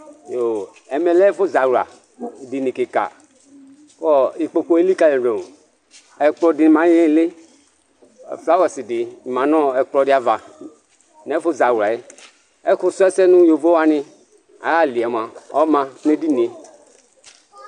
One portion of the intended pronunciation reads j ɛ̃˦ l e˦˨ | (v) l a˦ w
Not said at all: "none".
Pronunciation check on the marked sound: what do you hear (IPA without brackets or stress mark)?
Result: f